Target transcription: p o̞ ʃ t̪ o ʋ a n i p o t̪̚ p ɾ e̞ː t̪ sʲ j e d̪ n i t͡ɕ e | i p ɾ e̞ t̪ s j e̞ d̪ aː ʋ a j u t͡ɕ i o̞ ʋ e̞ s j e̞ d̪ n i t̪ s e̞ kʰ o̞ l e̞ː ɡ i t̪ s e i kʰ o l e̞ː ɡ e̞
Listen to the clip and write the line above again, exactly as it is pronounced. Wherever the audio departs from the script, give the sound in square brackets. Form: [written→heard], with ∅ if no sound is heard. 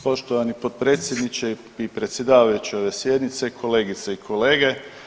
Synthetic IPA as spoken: p o̞ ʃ t̪ o ʋ a n i p o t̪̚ p ɾ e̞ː t̪ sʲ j e d̪ n i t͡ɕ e | i p ɾ e̞ t̪ s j e̞ d̪ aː ʋ a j u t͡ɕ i o̞ ʋ e̞ s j e̞ d̪ n i t̪ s e̞ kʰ o̞ l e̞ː ɡ i t̪ s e i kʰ o l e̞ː ɡ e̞